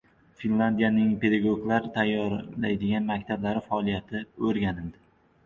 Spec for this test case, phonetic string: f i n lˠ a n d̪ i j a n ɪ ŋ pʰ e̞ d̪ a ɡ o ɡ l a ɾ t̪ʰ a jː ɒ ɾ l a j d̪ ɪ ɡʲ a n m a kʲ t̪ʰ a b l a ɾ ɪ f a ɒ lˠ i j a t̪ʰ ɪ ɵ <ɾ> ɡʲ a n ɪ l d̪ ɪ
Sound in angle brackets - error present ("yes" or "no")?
no